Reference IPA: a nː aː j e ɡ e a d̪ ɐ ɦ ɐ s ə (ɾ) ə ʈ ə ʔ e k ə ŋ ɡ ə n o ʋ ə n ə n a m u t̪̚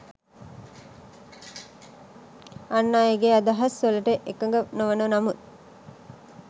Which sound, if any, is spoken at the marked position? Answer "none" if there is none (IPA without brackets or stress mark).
l